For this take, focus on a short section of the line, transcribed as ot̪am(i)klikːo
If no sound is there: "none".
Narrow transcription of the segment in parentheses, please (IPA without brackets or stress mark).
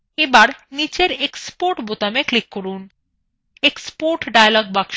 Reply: e